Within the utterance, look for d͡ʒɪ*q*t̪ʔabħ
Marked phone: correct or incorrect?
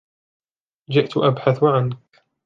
incorrect